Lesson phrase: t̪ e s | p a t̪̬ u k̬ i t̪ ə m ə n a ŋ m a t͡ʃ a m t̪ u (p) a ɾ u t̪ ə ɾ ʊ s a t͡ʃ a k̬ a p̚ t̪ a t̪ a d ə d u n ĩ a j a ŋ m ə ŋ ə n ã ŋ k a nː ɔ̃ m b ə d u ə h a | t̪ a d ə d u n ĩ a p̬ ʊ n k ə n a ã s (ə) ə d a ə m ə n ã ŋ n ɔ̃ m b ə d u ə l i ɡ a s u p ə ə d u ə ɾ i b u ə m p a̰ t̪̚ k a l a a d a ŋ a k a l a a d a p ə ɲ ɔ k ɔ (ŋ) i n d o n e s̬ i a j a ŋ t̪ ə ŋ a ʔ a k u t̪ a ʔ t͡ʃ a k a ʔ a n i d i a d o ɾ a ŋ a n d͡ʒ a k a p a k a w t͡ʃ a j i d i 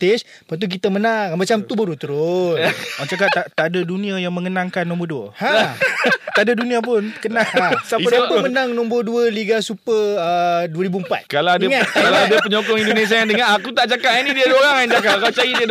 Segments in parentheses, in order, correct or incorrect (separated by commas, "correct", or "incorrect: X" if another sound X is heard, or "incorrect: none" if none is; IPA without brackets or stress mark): incorrect: b, incorrect: a, correct